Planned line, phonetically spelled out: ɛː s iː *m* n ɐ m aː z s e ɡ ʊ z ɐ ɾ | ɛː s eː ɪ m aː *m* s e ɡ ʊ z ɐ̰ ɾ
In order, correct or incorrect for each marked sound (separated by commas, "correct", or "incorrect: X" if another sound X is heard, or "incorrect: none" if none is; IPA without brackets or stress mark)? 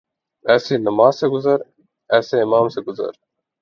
incorrect: none, correct